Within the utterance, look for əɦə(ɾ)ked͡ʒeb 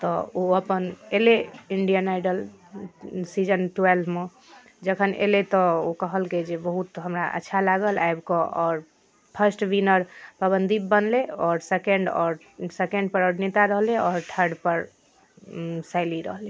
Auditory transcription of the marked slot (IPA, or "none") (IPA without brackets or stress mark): l